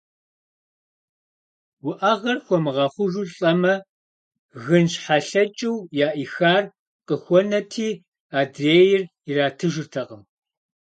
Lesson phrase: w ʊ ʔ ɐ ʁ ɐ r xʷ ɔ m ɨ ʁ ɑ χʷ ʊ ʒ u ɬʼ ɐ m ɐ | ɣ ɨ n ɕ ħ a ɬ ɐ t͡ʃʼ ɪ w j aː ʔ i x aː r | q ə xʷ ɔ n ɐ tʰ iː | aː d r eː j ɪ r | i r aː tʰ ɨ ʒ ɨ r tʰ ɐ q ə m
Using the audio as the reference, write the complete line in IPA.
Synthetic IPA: w ʊ ʔ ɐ ʁ ɐ r xʷ ɔ m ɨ ʁ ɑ χʷ ʊ ʒ u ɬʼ ɐ m ɐ | ɣ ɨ n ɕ ħ a ɬ ɐ t͡ʃʼ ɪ w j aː ʔ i x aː r | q ə xʷ ɔ n ɐ tʰ iː | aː d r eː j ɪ r | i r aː tʰ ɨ ʒ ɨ r tʰ ɐ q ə m